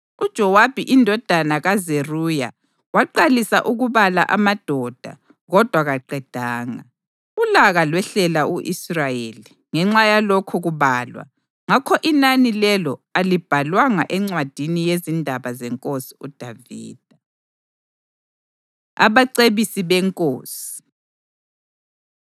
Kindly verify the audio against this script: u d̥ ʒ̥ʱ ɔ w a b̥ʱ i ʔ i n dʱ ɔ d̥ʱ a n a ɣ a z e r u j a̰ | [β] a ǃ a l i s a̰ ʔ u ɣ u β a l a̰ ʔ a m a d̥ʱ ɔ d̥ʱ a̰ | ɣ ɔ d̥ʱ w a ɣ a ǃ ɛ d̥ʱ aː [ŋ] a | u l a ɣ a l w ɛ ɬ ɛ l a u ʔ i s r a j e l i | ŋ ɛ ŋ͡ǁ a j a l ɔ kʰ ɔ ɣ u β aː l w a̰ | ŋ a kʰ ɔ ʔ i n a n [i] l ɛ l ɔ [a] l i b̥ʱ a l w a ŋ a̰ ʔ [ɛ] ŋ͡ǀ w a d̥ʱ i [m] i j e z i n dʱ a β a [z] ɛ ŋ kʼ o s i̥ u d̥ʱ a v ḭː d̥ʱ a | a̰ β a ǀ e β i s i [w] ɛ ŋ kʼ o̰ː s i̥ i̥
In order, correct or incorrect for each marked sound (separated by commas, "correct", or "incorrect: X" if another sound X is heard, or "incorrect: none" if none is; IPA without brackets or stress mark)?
incorrect: w, correct, correct, correct, correct, incorrect: n, correct, incorrect: β